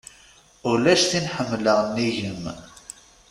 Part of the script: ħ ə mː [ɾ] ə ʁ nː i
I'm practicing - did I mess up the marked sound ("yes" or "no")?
yes